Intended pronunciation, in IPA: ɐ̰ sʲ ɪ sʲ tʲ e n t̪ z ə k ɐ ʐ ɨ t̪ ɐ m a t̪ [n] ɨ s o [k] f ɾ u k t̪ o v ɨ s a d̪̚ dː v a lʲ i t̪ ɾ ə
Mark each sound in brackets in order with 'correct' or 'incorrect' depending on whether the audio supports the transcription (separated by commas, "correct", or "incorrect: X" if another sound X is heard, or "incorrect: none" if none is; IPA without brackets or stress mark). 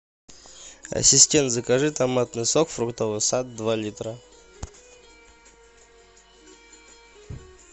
correct, correct